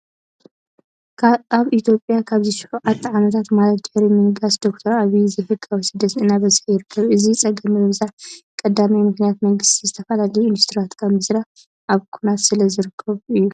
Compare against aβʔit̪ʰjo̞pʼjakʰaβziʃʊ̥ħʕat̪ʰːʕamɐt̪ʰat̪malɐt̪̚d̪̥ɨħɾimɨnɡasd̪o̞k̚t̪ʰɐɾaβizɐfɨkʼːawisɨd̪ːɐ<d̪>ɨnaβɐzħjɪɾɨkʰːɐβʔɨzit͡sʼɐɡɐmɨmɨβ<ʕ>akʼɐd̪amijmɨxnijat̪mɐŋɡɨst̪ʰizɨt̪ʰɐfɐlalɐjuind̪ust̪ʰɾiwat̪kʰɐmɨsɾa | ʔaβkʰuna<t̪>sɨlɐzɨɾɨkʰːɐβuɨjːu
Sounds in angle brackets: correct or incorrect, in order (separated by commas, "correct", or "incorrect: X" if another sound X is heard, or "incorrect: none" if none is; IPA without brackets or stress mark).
incorrect: t̪, incorrect: z, correct